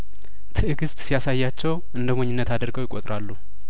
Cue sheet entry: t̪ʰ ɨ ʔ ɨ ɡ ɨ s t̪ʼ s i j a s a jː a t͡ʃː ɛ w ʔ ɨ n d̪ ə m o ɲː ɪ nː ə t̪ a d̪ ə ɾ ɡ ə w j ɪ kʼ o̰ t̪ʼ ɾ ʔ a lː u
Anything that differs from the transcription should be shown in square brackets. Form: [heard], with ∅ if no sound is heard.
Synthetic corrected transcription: t̪ʰ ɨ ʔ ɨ ɡ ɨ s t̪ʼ s i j a s a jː a t͡ʃː ɛ w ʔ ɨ n d̪ ə m o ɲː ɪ nː ə t̪ a d̪ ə ɾ ɡ ə w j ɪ kʼ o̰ t̪ʼ ɾ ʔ a lː u